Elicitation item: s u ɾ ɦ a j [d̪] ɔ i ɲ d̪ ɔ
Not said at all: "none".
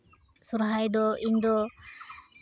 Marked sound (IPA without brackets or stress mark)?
d̪